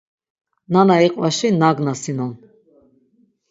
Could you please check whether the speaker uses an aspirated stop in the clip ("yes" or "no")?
no